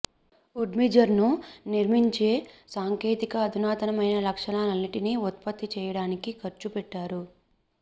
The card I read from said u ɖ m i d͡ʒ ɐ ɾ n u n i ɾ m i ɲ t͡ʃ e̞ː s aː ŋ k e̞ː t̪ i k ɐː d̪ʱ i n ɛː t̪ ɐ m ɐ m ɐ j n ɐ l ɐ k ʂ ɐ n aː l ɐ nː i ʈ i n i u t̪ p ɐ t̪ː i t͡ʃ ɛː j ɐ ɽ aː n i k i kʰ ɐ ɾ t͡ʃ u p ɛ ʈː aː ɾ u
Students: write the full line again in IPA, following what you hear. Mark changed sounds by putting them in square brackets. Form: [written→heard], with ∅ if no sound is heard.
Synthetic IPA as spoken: u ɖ m i d͡ʒ ɐ ɾ n u n i ɾ m i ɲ t͡ʃ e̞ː s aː ŋ k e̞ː t̪ i k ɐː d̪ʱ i n [ɛː→aː] t̪ ɐ [m→n] ɐ m ɐ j n ɐ l ɐ k ʂ ɐ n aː l ɐ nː i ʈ i n i u t̪ p ɐ t̪ː i t͡ʃ ɛː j ɐ ɽ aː n i k i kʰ ɐ ɾ t͡ʃ u p ɛ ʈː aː ɾ u